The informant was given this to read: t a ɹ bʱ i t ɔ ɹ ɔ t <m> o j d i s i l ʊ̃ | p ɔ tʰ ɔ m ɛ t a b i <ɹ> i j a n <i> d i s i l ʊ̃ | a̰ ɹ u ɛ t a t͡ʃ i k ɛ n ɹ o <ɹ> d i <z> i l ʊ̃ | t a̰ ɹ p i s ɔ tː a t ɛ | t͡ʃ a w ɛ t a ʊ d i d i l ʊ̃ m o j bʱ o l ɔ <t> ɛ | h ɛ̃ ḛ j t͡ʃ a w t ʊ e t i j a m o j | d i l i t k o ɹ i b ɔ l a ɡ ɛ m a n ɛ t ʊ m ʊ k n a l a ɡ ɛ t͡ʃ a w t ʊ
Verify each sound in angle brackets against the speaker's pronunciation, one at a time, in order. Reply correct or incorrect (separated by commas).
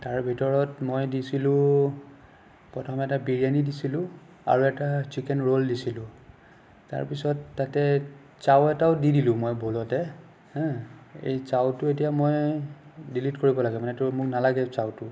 correct, correct, correct, incorrect, incorrect, correct